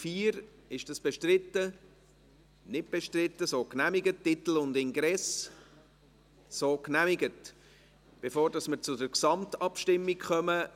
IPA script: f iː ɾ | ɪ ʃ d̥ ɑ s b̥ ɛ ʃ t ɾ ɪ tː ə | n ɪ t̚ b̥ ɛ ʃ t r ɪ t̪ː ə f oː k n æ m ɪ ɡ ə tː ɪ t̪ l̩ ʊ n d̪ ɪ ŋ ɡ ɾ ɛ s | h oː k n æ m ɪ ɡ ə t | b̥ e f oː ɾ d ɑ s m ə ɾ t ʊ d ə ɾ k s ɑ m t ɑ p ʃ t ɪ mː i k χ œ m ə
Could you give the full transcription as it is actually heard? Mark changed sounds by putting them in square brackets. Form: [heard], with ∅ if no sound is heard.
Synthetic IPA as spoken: f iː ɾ | ɪ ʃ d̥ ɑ s b̥ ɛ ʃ t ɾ ɪ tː ə | n ɪ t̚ b̥ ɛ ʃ t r ɪ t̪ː ə [s] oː k n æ m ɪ ɡ ə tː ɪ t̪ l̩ ʊ n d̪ ɪ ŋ ɡ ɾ ɛ s | [s] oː k n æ m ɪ ɡ ə t | b̥ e f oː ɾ d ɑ s m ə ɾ [t͡s] ʊ d ə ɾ k s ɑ m t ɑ p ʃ t ɪ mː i k χ œ m ə